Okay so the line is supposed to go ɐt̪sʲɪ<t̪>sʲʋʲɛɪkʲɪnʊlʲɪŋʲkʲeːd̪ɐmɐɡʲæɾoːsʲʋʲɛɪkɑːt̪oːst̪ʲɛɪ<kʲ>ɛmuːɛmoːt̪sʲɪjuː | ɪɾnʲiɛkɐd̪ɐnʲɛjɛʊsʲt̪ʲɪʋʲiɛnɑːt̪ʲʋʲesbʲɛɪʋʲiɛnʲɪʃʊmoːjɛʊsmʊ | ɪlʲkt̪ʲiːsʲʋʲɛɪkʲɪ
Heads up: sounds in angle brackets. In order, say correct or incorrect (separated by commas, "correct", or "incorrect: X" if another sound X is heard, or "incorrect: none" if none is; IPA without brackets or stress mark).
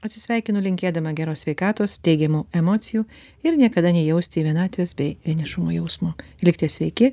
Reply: incorrect: none, incorrect: ɡʲ